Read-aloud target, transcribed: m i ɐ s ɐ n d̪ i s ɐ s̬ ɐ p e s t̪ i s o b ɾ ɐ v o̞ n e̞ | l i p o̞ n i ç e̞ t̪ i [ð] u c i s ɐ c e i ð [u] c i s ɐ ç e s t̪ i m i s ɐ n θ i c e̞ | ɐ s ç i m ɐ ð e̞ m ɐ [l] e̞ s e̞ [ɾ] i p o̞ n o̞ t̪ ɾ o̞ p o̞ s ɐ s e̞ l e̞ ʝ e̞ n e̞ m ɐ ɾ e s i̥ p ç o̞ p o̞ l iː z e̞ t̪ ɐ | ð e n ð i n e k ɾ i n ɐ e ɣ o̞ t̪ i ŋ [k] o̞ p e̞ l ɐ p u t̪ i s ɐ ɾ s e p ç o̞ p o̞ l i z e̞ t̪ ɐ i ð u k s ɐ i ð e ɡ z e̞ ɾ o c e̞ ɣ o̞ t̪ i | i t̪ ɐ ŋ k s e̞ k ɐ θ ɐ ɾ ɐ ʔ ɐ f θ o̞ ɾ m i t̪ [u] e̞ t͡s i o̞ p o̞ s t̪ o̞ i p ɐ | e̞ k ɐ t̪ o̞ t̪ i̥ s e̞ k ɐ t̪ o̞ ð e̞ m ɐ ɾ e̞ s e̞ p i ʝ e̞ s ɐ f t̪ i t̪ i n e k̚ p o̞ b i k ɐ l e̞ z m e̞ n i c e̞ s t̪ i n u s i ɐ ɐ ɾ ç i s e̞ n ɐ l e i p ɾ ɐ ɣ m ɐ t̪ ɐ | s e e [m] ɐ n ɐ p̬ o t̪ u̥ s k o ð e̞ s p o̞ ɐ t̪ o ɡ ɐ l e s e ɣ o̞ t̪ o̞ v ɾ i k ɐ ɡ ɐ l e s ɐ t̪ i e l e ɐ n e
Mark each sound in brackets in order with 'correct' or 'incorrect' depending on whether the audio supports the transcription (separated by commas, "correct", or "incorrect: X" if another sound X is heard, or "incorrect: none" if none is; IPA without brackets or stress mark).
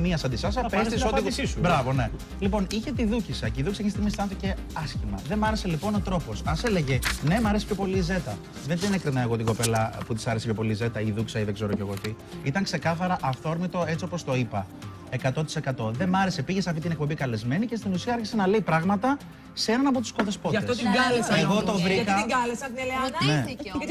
correct, correct, incorrect: ɾ, incorrect: l, incorrect: ɡ, incorrect: o, incorrect: n